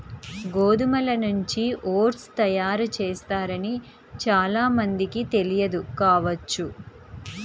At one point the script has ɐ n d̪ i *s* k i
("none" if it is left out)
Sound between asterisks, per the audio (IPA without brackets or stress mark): none